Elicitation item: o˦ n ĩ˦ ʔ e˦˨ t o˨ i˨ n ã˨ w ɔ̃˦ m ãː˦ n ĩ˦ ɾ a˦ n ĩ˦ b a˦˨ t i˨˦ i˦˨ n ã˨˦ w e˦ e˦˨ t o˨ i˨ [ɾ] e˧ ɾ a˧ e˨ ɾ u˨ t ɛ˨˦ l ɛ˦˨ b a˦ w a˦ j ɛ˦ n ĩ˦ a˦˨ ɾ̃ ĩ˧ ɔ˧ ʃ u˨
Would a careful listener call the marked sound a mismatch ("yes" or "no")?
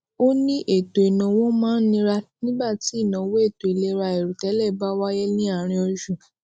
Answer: yes